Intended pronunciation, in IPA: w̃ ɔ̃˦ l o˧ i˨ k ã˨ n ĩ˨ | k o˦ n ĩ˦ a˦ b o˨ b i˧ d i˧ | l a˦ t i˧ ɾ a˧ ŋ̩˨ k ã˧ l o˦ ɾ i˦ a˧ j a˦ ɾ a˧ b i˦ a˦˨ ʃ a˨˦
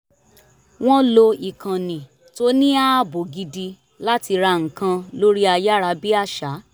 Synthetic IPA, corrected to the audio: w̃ ɔ̃˦ l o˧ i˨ k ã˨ n ĩ˨ | t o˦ n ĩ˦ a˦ b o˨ ɡ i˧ d i˧ | l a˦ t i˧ ɾ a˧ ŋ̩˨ k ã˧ l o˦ ɾ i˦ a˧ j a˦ ɾ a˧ b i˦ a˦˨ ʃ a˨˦